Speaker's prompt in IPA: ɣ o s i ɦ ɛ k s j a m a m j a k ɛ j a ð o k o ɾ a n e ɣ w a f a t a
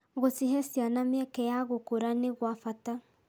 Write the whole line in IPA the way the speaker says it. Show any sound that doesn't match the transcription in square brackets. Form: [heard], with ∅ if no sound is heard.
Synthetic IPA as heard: ɣ o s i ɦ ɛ [∅] s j a [n] a m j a k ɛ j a [ɣ] o k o ɾ a n e ɣ w a f a t a